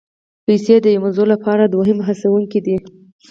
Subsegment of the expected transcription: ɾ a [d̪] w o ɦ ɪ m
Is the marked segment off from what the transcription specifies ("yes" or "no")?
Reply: no